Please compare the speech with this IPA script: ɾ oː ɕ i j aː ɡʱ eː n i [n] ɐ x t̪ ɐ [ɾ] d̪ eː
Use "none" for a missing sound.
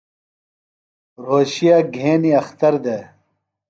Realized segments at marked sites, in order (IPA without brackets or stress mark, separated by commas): none, ɾ